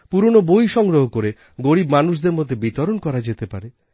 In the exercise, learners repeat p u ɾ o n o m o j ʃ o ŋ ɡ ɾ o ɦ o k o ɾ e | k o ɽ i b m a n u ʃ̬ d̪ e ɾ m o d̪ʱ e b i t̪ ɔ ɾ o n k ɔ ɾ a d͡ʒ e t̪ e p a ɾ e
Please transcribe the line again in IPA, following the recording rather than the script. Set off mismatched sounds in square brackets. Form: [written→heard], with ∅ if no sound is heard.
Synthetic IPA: p u ɾ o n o [m→b] o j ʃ [o→ɔ] ŋ ɡ ɾ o ɦ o k o ɾ e | [k→ɡ] o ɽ i b m a n u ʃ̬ d̪ e ɾ m o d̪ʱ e b i t̪ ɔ ɾ o n k ɔ ɾ a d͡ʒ e t̪ e p a ɾ e